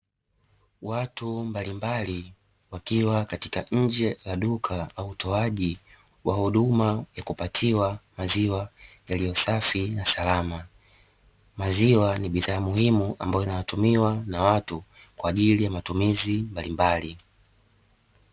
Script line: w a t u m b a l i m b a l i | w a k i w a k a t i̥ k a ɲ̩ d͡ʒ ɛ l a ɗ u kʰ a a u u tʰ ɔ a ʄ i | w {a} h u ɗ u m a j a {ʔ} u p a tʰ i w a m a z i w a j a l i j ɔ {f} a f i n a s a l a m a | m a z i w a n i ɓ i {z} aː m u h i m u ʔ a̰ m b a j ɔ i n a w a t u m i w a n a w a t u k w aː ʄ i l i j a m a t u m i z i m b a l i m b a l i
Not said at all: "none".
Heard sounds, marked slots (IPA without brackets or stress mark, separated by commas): a, k, s, ð